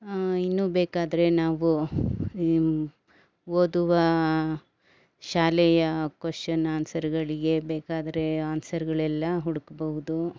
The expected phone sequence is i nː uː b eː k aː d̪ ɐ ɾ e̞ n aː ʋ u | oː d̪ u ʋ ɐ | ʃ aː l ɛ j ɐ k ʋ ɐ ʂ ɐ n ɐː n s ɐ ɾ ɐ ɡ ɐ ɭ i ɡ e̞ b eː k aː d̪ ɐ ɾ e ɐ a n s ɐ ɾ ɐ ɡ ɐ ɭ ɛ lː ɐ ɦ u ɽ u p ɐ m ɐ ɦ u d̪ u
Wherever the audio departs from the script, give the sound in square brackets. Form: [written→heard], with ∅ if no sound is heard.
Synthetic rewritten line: i nː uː b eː k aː d̪ ɐ ɾ e̞ n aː ʋ u | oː d̪ u ʋ ɐ | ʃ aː l ɛ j ɐ k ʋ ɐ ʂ ɐ n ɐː n s ɐ ɾ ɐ ɡ ɐ ɭ i ɡ e̞ b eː k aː d̪ ɐ ɾ e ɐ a n s ɐ ɾ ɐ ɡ ɐ ɭ ɛ lː ɐ ɦ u ɽ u [p→k] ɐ [m→b] ɐ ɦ u d̪ u